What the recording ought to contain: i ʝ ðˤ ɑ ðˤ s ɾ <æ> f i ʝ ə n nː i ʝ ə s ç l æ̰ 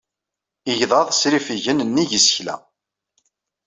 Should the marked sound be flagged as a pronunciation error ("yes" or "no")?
yes